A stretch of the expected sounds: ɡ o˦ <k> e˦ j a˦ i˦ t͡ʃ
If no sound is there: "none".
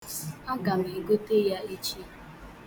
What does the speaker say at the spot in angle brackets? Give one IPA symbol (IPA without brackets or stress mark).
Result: t